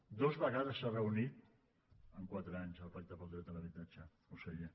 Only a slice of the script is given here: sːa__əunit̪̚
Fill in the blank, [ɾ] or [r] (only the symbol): r